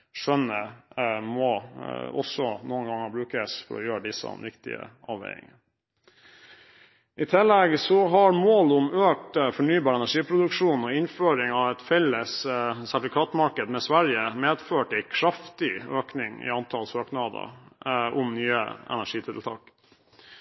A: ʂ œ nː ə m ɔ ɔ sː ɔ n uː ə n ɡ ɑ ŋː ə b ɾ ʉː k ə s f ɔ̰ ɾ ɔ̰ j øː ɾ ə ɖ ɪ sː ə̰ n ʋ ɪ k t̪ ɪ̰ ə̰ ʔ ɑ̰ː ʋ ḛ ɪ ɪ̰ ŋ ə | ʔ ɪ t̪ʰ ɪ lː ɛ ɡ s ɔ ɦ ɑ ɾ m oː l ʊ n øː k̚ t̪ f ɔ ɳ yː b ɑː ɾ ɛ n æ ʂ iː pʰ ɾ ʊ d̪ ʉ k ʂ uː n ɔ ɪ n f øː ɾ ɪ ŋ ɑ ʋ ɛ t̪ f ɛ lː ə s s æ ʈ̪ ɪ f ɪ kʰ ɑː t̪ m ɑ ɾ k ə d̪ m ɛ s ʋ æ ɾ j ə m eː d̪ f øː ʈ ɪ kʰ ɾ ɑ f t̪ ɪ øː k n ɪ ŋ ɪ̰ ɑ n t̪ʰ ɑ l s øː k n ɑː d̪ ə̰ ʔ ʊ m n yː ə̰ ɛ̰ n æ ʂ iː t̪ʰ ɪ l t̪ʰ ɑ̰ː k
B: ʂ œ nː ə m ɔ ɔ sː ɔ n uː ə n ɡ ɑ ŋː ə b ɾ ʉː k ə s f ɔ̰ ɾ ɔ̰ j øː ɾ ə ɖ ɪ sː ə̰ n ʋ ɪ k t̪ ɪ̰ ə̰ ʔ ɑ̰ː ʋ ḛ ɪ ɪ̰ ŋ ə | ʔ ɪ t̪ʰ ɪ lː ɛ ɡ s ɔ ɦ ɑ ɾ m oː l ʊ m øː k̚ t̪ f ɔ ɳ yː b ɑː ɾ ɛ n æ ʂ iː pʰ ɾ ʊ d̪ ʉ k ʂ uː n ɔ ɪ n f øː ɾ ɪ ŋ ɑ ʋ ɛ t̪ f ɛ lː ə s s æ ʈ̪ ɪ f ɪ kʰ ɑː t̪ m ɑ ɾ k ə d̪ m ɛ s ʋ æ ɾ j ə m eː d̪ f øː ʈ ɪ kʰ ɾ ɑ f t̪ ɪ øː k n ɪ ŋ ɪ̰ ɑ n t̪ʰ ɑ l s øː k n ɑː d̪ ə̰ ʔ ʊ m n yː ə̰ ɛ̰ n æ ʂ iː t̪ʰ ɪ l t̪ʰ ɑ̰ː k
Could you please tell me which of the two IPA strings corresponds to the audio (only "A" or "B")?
B